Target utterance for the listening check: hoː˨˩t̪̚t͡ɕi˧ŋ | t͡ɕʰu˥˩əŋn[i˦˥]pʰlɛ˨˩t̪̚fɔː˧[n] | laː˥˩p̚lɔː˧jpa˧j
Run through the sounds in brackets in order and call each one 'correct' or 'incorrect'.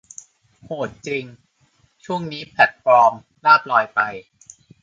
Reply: incorrect, incorrect

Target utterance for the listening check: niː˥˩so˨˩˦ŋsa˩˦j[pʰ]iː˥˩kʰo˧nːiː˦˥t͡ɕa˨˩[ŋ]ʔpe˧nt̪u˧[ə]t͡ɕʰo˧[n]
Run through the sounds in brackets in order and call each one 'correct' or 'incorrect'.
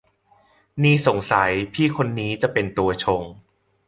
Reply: correct, incorrect, incorrect, incorrect

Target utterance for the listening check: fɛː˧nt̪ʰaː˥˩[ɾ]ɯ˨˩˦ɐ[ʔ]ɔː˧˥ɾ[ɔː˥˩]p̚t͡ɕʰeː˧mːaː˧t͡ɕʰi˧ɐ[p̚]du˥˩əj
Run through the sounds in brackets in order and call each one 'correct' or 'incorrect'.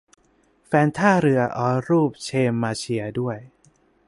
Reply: correct, correct, incorrect, incorrect

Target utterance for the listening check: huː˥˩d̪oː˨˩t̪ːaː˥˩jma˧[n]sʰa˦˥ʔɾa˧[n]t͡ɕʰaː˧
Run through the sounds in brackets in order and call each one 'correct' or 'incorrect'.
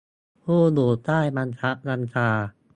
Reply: correct, correct

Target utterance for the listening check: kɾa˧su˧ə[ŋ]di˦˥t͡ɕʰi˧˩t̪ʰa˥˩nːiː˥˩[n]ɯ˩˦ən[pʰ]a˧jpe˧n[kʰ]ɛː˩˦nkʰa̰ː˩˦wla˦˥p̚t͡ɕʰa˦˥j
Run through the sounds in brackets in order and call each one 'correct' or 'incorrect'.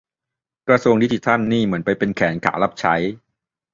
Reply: correct, incorrect, incorrect, correct

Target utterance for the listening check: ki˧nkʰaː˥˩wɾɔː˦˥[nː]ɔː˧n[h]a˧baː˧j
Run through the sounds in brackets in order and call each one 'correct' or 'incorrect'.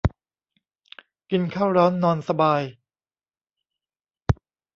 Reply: correct, incorrect

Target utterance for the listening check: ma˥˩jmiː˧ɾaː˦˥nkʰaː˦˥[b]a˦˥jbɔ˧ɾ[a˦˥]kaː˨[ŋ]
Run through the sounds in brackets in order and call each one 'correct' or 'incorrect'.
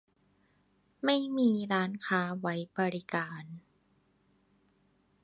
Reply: incorrect, incorrect, incorrect

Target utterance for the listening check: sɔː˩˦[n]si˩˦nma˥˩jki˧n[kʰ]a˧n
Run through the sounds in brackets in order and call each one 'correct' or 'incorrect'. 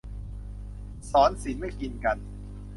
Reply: correct, incorrect

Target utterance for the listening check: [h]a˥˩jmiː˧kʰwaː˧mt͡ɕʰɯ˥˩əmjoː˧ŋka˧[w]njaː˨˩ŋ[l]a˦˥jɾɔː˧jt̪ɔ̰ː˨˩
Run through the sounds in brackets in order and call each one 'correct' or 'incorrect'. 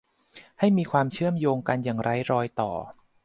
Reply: correct, incorrect, incorrect

